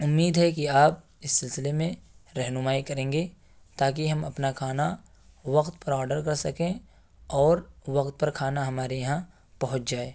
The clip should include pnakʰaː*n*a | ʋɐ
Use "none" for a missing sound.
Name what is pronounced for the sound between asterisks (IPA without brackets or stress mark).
n